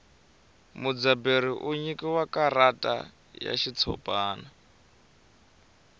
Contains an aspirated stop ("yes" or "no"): yes